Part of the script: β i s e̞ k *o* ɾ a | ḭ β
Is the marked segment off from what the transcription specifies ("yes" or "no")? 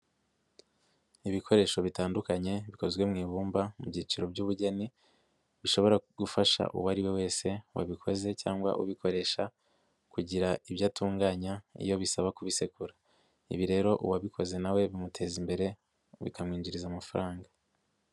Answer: yes